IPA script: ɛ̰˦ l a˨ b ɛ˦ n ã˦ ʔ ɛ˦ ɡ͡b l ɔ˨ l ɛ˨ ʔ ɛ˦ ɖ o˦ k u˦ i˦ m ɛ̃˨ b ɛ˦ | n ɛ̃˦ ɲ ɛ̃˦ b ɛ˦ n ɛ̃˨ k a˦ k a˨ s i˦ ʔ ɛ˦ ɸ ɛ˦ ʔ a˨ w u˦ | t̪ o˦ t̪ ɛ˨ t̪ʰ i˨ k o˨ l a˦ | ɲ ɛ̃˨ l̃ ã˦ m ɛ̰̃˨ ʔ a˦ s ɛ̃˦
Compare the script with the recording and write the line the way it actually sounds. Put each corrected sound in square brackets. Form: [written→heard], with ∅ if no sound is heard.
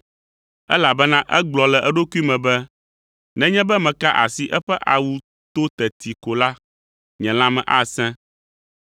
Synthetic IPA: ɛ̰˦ l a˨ b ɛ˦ n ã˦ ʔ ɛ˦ ɡ͡b l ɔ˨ l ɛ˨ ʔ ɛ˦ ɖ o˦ k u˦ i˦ m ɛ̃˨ b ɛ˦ | n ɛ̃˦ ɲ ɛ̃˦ b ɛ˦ [n→m] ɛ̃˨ k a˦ [k→ʔ] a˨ s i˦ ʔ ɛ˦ ɸ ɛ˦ ʔ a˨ w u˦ | t̪ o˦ t̪ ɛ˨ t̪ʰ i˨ k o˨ l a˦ | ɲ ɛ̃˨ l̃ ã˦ m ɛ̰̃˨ ʔ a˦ s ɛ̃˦